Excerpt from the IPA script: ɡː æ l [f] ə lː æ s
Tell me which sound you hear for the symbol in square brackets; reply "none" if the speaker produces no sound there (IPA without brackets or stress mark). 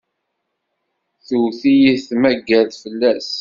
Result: f